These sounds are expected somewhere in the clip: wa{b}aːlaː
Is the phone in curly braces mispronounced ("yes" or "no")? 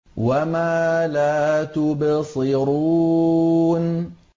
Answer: yes